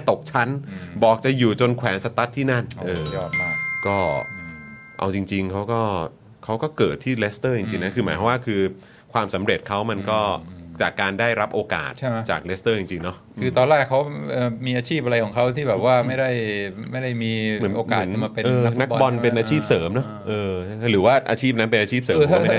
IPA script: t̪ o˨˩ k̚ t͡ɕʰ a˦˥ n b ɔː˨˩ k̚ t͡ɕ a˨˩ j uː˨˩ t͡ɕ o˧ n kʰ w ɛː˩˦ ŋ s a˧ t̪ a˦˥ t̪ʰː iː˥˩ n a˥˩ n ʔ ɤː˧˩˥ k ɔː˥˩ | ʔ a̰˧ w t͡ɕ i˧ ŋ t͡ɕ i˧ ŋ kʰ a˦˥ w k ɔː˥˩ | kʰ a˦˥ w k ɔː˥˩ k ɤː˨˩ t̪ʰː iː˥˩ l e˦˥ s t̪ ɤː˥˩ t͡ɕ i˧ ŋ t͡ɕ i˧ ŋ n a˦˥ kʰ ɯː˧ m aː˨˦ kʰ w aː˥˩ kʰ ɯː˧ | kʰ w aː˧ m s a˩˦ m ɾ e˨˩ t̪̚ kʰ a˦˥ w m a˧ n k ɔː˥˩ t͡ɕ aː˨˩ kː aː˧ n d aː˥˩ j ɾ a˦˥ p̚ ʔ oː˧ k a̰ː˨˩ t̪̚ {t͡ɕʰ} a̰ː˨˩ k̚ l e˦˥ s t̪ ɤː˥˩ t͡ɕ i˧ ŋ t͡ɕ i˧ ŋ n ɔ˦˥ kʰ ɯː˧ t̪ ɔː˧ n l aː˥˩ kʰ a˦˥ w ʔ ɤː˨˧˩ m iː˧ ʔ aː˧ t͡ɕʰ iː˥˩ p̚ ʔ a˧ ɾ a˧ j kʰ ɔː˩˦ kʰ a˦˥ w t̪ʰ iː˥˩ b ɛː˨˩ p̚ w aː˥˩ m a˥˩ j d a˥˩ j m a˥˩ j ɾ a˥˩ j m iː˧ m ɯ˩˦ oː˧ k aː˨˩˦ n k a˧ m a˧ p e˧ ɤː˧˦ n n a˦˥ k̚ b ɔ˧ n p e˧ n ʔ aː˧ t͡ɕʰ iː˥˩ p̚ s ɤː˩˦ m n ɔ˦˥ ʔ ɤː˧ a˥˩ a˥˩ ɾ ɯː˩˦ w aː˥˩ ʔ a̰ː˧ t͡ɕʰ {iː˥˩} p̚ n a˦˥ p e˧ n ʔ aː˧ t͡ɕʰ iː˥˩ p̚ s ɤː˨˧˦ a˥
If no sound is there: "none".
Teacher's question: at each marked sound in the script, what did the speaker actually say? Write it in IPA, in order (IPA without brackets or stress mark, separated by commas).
t͡ɕ, iː˥˩